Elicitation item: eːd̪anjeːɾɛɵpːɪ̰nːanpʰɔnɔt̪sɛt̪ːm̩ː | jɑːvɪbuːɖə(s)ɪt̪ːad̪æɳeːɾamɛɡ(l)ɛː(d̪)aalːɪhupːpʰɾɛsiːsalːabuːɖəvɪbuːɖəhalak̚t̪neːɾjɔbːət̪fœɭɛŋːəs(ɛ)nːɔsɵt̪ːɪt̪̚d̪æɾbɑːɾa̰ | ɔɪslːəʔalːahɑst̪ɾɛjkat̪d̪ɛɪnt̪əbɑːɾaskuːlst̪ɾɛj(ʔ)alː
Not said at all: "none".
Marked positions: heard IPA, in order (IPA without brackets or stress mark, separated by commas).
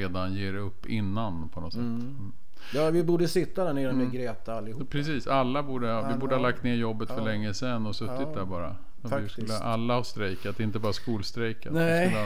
s, ɾ, t̪, ɛ, k